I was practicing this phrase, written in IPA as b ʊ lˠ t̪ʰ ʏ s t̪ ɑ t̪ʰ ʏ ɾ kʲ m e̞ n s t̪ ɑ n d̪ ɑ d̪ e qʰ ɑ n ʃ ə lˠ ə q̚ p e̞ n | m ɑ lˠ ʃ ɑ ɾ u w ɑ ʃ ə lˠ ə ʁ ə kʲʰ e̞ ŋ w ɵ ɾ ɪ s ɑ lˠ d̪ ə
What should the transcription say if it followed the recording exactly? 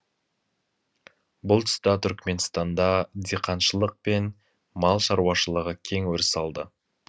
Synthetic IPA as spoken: b ʊ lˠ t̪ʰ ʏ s t̪ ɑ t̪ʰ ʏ ɾ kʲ m e̞ n s t̪ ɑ n d̪ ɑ d̪ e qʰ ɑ n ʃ ə lˠ ə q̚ p e̞ n | m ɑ lˠ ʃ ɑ ɾ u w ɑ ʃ ə lˠ ə ʁ ə kʲʰ e̞ ŋ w ɵ ɾ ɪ s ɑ lˠ d̪ ə